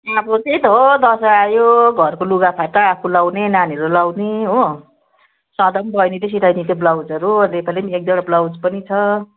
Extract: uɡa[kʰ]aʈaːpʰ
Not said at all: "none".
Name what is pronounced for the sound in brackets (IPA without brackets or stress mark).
pʰ